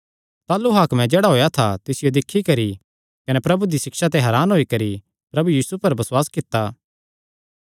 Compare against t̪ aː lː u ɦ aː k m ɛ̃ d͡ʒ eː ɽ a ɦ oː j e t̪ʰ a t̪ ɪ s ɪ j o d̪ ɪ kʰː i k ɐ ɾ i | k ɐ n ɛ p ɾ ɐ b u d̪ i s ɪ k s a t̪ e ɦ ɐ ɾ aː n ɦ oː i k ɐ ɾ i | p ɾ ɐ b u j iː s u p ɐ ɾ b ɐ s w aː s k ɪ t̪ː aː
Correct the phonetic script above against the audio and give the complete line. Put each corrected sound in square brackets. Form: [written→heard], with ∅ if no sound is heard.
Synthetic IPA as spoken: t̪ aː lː u ɦ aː k m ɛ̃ d͡ʒ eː ɽ a ɦ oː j [e→a] t̪ʰ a t̪ ɪ s ɪ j o d̪ ɪ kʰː i k ɐ ɾ i | k ɐ n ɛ p ɾ ɐ b u d̪ i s ɪ k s a t̪ e ɦ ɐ ɾ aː n ɦ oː i k ɐ ɾ i | p ɾ ɐ b u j iː s u p ɐ ɾ b ɐ s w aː s k ɪ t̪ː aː